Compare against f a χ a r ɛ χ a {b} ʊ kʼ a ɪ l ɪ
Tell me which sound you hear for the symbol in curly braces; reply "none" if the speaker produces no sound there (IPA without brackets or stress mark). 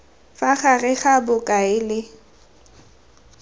b